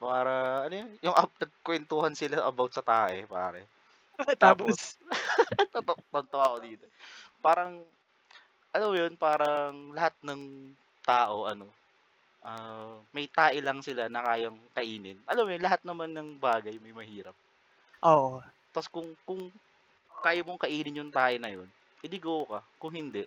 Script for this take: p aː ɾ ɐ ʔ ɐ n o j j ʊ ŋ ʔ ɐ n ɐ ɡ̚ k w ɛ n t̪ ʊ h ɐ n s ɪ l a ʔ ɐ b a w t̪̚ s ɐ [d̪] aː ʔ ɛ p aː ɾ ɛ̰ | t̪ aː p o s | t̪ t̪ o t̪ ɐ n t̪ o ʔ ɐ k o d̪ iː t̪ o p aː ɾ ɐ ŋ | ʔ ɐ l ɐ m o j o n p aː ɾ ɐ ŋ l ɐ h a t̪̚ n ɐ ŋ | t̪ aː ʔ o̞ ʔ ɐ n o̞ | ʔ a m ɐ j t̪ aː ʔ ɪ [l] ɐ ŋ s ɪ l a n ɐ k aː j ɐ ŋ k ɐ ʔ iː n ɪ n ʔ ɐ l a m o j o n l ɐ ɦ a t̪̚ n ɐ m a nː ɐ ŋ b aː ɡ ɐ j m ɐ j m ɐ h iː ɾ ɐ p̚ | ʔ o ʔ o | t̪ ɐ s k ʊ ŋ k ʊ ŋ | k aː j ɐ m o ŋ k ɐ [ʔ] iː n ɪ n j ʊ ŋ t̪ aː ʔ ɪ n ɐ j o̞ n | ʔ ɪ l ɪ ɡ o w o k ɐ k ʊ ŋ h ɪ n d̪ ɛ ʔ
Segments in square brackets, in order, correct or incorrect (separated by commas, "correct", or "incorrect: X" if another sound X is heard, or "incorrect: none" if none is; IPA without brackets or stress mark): incorrect: t̪, correct, correct